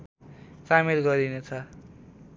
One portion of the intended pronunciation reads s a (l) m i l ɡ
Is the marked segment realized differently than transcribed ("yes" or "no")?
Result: yes